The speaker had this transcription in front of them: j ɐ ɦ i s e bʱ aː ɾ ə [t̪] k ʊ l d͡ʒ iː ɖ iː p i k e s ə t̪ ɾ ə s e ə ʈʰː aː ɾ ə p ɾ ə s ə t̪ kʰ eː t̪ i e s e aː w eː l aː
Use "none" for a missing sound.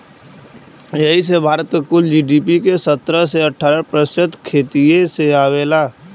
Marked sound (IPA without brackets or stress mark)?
t̪